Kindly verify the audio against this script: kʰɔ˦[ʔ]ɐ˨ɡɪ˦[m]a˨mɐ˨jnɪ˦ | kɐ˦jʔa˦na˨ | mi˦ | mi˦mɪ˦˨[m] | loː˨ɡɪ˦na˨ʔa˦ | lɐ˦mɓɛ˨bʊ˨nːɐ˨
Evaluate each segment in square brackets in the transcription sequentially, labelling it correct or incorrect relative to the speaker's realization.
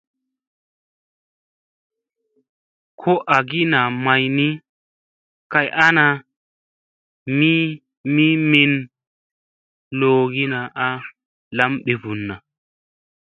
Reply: correct, incorrect: n, incorrect: n

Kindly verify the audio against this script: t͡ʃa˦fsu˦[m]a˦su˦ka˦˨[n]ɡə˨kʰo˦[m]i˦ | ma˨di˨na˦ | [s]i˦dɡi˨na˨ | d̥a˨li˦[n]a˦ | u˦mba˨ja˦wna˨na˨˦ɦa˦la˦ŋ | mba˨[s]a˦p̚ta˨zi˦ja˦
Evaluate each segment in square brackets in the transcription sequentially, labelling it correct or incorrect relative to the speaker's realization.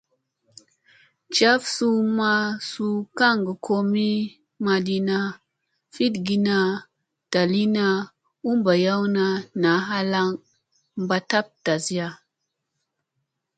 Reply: correct, incorrect: ŋ, correct, incorrect: f, correct, incorrect: t

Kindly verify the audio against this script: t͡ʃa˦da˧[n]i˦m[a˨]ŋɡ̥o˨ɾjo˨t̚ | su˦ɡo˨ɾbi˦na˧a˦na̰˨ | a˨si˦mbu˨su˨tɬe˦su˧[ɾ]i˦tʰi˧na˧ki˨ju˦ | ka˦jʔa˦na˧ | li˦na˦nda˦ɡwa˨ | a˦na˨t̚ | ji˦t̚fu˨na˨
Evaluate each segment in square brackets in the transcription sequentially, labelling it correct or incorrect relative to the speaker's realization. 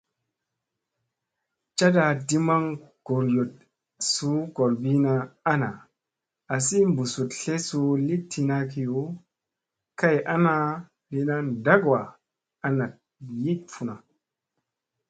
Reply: incorrect: d, incorrect: a˦, incorrect: l

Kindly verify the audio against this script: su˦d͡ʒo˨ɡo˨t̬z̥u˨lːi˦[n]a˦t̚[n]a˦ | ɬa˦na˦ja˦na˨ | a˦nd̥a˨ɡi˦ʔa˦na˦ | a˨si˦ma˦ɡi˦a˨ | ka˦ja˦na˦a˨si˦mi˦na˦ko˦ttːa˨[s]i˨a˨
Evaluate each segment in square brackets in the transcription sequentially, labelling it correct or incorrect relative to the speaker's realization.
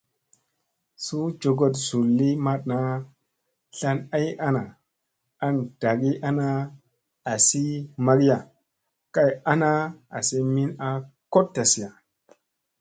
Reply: incorrect: m, correct, correct

